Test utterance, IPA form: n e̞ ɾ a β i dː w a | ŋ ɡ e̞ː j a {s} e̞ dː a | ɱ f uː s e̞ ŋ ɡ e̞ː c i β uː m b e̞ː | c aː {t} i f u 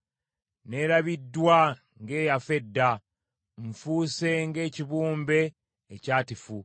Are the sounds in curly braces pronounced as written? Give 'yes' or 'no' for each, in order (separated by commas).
no, yes